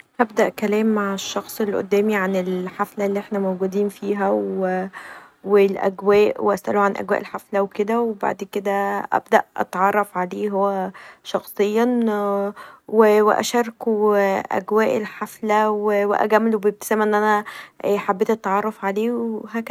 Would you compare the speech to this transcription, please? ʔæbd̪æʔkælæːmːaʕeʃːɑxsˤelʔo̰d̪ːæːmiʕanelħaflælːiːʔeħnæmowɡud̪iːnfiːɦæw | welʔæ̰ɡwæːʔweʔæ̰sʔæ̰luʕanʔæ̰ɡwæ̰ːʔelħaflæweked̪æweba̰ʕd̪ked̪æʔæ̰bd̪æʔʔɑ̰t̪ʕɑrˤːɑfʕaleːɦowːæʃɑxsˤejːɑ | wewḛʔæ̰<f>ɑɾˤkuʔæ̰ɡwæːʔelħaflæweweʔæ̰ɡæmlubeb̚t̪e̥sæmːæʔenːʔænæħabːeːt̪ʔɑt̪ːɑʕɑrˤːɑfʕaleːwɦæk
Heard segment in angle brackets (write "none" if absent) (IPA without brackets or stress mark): ʃ